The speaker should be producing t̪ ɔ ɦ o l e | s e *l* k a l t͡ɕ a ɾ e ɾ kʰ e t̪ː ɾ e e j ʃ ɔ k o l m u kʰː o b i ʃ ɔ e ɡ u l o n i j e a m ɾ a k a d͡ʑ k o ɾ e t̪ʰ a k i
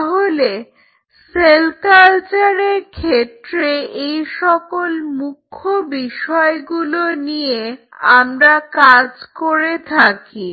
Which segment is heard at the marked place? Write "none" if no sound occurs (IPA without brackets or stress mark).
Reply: l